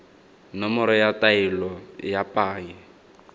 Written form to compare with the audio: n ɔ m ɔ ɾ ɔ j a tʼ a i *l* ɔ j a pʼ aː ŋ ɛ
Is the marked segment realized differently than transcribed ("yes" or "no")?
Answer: no